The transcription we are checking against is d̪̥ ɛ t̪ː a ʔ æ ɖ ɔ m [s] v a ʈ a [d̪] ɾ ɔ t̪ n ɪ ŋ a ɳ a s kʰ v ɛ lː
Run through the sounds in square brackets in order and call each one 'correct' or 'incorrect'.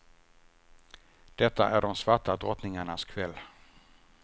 correct, correct

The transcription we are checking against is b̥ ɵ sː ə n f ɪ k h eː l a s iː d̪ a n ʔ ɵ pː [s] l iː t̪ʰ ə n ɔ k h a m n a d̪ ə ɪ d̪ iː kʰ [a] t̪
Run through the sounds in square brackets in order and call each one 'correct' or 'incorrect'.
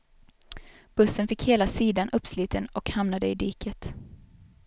correct, incorrect: ə

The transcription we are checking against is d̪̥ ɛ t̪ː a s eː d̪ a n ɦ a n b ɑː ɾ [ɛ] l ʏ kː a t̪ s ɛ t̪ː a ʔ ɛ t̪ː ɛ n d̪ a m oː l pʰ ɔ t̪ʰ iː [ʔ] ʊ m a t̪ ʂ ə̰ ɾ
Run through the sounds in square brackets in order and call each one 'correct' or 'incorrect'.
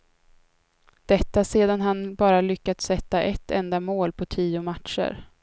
incorrect: a, incorrect: none

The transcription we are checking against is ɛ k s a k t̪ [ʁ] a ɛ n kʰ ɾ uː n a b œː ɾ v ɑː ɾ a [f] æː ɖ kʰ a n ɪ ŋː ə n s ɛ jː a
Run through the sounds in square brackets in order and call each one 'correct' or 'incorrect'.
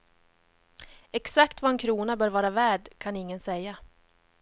incorrect: v, incorrect: v

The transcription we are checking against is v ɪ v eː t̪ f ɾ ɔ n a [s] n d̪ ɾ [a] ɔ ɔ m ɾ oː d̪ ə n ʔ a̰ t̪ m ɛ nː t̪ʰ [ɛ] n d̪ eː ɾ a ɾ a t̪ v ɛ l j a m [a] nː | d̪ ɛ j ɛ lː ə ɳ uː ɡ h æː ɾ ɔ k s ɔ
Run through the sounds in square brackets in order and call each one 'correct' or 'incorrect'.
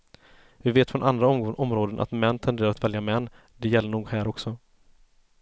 incorrect: none, correct, correct, incorrect: ɛ

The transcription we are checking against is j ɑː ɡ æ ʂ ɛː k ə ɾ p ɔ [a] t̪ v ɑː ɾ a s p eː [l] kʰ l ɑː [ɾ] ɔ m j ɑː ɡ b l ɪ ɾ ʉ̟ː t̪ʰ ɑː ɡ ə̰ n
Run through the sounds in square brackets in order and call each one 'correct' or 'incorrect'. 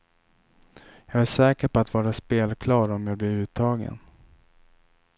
correct, correct, correct

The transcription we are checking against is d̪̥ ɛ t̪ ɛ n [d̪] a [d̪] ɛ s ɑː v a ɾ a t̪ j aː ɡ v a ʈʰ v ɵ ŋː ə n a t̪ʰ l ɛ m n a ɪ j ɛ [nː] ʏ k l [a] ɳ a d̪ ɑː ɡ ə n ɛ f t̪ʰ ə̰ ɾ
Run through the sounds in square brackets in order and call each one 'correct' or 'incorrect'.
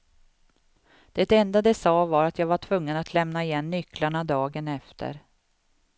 correct, correct, correct, correct

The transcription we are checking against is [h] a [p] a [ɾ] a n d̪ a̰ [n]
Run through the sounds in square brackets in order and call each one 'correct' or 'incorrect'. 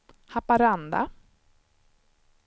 correct, correct, correct, incorrect: none

